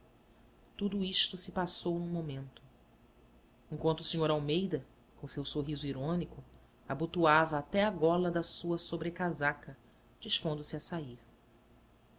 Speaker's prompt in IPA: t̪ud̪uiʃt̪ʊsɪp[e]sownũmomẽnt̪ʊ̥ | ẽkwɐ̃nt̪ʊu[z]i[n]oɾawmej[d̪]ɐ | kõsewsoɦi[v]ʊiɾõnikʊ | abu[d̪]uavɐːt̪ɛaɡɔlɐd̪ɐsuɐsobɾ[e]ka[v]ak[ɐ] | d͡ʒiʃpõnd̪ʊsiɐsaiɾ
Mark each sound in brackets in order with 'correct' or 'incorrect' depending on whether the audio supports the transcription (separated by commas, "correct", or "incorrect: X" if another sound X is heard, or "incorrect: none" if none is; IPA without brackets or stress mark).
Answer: incorrect: a, incorrect: s, incorrect: ɲ, correct, incorrect: z, incorrect: t̪, correct, incorrect: z, correct